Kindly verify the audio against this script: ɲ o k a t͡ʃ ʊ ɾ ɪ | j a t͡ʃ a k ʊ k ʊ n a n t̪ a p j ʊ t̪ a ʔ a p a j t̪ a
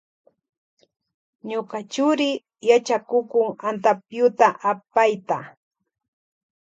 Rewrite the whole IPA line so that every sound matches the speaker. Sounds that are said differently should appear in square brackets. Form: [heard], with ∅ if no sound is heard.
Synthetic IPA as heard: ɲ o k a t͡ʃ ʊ ɾ ɪ | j a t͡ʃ a k ʊ k ʊ [ŋ] a n t̪ a p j ʊ t̪ a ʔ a p a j t̪ a